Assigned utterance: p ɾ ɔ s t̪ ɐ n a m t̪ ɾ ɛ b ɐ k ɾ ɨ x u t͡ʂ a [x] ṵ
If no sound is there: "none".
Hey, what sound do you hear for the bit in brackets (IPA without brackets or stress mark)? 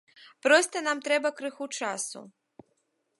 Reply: s